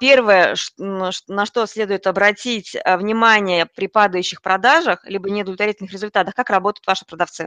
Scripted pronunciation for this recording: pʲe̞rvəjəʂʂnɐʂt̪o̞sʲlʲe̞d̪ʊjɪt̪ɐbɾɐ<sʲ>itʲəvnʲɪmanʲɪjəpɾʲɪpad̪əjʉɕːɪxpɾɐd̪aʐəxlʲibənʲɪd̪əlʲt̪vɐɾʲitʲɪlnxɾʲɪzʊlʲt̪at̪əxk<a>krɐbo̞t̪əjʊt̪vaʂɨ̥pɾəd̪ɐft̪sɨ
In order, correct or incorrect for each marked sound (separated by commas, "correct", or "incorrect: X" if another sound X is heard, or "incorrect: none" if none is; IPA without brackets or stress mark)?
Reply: incorrect: tʲ, correct